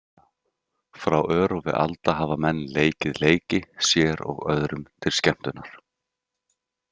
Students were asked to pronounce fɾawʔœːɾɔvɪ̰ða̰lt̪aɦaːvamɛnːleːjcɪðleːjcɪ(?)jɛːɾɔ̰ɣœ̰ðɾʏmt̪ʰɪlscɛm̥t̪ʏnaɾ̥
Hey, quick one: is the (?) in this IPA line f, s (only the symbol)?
s